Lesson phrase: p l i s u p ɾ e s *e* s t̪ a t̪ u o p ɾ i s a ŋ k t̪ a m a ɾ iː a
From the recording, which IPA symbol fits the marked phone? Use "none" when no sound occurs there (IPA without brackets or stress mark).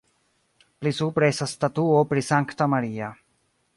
a